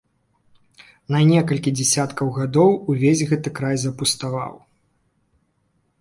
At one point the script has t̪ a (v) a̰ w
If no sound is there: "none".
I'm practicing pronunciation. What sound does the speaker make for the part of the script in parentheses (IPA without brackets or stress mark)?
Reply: v